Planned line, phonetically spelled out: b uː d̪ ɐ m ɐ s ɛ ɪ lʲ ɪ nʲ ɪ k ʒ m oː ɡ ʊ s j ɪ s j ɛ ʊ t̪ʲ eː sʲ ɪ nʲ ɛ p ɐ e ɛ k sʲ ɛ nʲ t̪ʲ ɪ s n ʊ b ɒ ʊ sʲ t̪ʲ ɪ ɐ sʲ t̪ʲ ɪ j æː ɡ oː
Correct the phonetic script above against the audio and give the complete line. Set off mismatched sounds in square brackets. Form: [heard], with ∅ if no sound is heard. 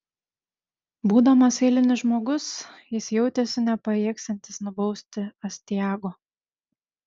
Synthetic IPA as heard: b uː d̪ ɐ m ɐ s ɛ ɪ lʲ ɪ nʲ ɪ [∅] ʒ m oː ɡ ʊ s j ɪ s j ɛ ʊ t̪ʲ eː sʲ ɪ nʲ ɛ p ɐ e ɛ k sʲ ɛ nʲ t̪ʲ ɪ s n ʊ b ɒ ʊ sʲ t̪ʲ ɪ ɐ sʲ t̪ʲ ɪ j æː ɡ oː